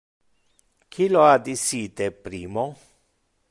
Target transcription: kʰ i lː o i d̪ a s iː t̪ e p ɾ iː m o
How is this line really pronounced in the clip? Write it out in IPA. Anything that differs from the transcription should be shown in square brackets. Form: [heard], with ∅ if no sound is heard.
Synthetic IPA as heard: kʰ i [l] o [a] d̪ [i] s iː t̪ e p ɾ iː m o